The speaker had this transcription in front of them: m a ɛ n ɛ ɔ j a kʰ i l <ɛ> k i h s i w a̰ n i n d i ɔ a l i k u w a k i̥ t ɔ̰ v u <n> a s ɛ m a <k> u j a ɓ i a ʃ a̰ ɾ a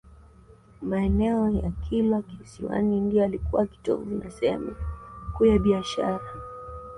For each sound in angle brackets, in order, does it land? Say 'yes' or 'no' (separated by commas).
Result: no, yes, yes